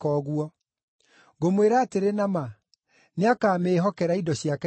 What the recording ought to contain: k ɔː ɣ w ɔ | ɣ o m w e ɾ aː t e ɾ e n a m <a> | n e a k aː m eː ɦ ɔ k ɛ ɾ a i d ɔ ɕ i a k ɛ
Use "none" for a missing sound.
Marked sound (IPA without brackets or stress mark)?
a